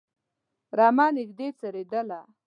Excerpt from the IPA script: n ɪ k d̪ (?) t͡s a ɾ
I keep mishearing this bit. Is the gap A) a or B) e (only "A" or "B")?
B